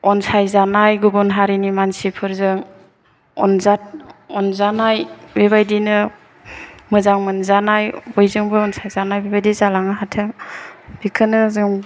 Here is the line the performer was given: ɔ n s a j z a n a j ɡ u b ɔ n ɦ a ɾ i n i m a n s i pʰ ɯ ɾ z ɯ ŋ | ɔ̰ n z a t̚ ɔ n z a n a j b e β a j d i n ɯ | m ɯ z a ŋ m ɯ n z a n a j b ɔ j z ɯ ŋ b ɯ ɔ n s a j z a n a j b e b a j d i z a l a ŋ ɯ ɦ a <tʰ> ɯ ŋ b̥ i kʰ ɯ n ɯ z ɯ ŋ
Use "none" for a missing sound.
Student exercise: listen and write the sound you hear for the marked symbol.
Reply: tʰ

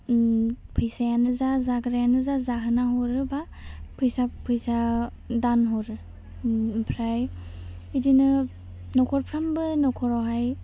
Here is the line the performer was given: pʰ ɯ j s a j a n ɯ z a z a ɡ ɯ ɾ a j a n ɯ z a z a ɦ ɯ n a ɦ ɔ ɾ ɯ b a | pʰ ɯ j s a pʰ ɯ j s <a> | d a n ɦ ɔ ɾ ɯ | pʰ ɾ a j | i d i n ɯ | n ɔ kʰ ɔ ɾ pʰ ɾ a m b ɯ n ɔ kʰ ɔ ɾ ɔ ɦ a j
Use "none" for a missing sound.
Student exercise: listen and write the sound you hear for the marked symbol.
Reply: a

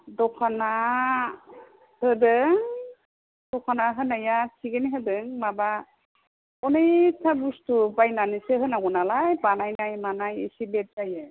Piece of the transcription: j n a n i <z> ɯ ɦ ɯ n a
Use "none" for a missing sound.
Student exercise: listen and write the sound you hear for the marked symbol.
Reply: s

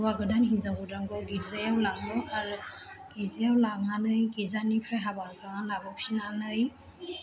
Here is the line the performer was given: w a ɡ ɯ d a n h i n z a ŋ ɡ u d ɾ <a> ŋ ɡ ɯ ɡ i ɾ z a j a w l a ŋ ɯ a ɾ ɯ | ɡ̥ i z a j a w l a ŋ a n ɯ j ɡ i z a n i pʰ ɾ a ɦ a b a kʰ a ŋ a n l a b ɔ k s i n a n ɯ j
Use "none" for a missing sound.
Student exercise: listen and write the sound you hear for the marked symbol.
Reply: a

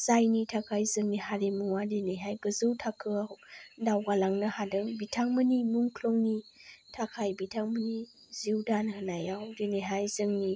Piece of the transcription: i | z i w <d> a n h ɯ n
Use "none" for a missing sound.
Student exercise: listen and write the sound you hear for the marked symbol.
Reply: d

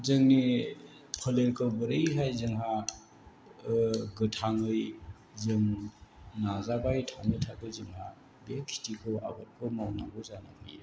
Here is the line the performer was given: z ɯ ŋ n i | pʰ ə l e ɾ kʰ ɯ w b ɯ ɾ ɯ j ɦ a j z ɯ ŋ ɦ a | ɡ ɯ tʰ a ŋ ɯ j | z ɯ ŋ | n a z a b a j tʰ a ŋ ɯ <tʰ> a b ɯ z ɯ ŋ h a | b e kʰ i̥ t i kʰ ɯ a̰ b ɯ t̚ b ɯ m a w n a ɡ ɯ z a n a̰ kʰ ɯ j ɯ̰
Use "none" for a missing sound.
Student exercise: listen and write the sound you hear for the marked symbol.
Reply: tʰ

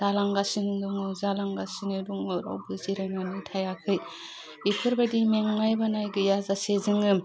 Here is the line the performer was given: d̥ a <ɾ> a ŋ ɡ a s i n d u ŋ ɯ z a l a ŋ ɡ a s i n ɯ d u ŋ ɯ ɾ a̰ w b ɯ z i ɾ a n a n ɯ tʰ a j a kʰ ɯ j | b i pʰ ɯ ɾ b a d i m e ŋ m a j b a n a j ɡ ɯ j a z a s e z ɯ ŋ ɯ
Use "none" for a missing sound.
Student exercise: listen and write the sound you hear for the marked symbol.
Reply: l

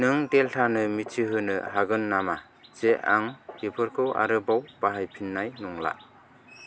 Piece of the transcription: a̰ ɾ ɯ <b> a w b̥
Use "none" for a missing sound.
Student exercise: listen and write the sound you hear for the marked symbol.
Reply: b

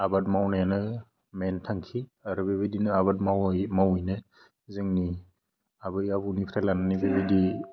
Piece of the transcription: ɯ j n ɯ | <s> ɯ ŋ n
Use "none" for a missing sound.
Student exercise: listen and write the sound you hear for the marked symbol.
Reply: z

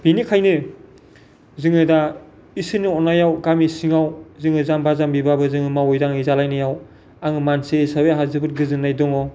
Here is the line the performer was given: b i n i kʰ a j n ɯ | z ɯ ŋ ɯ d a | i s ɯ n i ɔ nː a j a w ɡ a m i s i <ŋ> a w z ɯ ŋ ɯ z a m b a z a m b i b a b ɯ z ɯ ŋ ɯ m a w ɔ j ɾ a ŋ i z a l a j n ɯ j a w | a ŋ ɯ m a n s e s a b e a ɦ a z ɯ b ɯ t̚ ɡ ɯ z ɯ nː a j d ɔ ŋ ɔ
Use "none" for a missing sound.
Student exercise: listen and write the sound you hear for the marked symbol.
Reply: ŋ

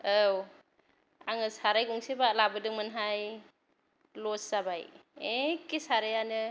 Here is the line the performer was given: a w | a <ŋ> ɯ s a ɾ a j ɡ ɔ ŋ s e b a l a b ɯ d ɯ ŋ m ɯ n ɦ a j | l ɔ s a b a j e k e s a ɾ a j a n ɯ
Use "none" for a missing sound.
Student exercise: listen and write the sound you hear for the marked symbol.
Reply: ŋ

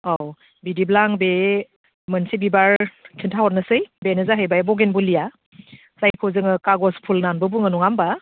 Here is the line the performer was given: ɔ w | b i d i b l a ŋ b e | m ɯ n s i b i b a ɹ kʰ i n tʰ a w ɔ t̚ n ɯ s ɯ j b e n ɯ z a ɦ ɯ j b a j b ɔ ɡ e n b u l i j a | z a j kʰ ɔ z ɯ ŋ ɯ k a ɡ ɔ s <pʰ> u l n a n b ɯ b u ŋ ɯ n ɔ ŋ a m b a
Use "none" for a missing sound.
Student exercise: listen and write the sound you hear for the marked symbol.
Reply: pʰ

